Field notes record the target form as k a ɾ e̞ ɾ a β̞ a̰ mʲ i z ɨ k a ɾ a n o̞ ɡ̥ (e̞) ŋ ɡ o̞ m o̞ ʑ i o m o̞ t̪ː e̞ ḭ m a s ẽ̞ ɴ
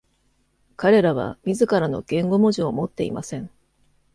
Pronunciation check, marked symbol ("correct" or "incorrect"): incorrect